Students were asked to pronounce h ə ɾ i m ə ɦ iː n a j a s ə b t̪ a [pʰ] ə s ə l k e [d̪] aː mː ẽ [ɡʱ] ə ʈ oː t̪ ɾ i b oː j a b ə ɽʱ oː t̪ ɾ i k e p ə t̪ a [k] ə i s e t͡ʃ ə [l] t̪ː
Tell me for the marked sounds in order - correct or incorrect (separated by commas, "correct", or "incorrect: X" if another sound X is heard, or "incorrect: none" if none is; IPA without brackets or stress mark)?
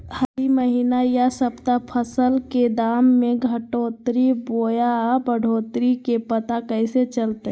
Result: correct, correct, correct, correct, correct